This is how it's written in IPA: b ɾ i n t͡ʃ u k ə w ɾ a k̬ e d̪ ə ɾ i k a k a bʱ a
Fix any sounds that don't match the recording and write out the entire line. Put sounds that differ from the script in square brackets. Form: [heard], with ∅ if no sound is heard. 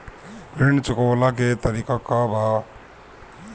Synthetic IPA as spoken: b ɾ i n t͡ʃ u k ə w [l] a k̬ e [t̪] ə ɾ i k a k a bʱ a